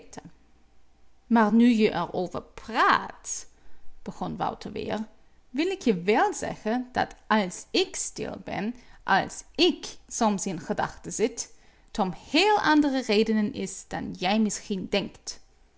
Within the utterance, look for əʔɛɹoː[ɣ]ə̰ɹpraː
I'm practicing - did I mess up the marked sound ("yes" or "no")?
yes